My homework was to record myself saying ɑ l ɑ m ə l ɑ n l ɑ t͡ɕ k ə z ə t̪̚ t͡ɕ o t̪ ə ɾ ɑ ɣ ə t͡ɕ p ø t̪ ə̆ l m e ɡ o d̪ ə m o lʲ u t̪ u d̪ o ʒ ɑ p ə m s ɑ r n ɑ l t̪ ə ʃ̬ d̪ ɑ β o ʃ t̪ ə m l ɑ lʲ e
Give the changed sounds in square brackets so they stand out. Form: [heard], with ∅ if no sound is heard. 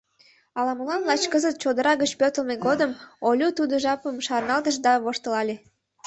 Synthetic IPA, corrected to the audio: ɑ l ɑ m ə l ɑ n l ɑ t͡ɕ k ə z ə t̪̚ t͡ɕ o [d̪] ə ɾ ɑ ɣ ə t͡ɕ p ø t̪ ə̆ l m e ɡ o d̪ ə m o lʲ u t̪ u d̪ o ʒ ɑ p ə m [ʃ] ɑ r n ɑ l t̪ ə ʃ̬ d̪ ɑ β o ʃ t̪ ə [∅] l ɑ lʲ e